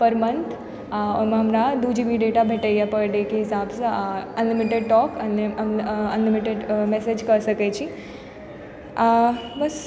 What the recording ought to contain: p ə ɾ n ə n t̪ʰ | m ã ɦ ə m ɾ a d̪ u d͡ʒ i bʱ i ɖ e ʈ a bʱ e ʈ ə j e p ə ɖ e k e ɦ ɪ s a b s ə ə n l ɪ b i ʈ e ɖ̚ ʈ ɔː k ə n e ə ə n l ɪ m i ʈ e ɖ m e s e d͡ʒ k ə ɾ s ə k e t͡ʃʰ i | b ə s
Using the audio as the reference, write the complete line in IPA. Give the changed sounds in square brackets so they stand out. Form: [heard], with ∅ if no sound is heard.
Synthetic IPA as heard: p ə ɾ [m] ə n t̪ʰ | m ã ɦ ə m ɾ a d̪ u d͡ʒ i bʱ i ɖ e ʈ a bʱ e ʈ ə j [a] p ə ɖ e k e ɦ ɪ s a b s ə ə n l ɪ [m] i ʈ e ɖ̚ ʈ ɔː k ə n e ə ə n l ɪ m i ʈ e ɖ m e s e d͡ʒ k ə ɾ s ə k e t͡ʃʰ i | b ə s